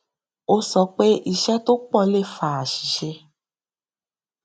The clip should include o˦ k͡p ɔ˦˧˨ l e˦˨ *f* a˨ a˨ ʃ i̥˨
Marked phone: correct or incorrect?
correct